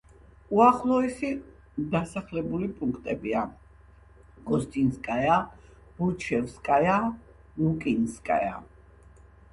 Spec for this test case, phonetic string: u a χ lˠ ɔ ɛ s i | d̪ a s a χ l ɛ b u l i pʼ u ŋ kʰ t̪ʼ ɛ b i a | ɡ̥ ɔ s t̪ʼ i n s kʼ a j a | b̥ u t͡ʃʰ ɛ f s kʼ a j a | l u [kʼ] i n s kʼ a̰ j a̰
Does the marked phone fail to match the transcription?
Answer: no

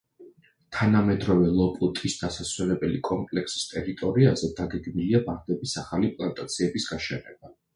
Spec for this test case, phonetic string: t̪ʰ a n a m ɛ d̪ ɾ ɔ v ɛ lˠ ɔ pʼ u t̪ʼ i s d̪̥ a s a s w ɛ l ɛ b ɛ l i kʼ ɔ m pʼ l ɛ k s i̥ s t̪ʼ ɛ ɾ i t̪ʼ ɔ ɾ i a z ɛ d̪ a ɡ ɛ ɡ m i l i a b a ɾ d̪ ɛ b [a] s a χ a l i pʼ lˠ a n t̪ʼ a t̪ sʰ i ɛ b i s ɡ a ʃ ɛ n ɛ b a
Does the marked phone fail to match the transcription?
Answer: yes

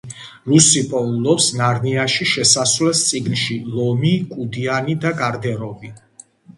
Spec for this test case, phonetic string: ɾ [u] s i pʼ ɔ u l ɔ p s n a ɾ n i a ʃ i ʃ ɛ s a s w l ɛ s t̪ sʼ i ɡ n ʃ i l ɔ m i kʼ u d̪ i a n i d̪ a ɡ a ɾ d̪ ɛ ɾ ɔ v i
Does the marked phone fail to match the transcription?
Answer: no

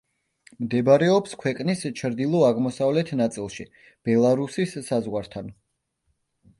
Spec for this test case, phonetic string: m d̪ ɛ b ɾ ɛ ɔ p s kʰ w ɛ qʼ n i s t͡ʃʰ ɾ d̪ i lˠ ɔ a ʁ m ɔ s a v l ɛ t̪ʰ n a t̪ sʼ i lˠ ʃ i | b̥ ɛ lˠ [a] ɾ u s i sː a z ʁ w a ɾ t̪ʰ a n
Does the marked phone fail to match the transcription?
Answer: no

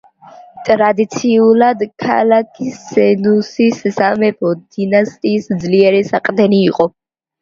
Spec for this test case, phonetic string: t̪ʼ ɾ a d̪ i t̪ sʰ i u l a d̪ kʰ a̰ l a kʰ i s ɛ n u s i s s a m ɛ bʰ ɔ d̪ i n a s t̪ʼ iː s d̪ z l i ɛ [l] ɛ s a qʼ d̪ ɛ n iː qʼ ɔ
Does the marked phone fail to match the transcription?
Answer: yes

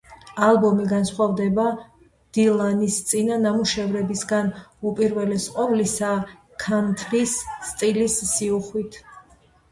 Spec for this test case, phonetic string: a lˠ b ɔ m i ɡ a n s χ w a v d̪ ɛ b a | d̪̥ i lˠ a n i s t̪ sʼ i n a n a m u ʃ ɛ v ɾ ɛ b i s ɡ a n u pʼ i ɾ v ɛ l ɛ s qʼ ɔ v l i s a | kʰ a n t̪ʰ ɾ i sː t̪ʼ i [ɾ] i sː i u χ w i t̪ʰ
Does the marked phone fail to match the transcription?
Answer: yes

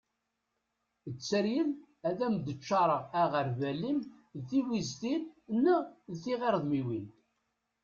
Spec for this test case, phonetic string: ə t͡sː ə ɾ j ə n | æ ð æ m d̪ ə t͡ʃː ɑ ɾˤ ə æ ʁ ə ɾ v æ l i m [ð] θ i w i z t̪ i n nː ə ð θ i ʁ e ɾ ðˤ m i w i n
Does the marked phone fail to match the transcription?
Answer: no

